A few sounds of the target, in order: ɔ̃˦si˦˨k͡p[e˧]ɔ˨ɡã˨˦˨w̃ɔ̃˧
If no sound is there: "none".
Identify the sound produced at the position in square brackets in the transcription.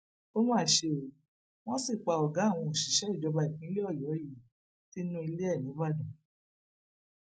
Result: a˧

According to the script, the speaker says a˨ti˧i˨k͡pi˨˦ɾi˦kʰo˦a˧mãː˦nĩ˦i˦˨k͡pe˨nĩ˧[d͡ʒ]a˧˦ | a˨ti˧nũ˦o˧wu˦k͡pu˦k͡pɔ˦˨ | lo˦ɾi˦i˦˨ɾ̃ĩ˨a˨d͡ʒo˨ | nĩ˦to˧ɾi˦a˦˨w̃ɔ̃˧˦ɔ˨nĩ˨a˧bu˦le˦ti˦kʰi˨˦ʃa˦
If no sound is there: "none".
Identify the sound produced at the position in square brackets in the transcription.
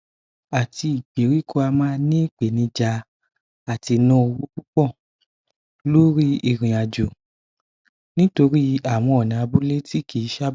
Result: d͡ʒ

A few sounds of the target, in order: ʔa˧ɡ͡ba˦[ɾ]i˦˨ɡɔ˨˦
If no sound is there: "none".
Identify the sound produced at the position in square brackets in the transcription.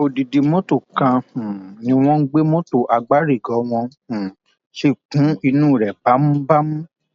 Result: ɾ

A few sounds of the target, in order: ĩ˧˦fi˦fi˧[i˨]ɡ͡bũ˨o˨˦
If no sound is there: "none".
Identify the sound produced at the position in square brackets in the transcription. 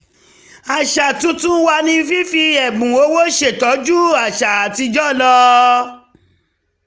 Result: ɛ˨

